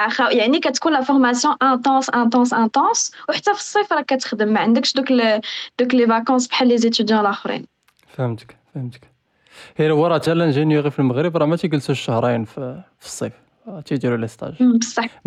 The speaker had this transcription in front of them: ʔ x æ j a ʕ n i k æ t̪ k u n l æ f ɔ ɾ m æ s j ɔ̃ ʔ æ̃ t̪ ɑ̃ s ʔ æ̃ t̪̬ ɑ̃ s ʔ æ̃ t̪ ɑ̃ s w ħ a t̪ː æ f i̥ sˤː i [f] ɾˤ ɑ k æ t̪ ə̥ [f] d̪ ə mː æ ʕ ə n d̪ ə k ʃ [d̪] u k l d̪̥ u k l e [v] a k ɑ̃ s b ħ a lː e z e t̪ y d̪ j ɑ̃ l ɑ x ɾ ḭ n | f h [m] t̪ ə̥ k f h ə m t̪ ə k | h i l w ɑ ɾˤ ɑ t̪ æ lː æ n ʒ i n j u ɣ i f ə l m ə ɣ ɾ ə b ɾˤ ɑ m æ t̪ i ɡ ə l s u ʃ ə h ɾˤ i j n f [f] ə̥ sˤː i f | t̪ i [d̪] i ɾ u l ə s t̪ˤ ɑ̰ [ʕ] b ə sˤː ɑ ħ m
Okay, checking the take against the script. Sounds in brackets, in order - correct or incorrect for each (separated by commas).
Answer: correct, incorrect, correct, correct, correct, correct, correct, incorrect